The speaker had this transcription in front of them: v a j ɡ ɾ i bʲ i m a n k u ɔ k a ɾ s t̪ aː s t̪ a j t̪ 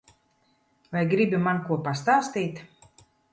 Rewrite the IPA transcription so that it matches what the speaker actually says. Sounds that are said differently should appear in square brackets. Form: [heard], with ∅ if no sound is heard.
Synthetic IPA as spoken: v a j ɡ ɾ i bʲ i m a n k u ɔ [p] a [∅] s t̪ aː s t̪ [i] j t̪